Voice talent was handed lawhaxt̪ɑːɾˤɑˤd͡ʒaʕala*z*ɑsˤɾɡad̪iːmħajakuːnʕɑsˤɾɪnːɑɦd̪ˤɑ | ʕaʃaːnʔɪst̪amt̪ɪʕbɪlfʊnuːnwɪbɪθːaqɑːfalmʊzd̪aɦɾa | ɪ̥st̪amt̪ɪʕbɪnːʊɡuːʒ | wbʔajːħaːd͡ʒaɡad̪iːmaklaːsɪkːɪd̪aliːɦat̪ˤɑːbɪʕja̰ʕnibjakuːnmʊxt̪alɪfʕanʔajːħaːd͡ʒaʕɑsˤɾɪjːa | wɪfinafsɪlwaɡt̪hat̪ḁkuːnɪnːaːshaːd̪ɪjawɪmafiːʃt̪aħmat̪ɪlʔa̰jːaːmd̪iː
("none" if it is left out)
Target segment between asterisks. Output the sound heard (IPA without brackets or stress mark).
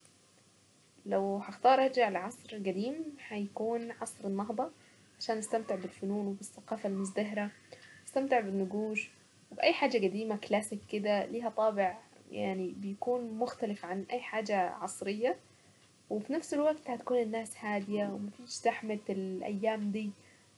ʕ